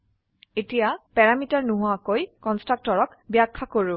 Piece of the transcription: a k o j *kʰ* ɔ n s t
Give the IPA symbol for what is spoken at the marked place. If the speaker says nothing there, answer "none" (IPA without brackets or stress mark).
k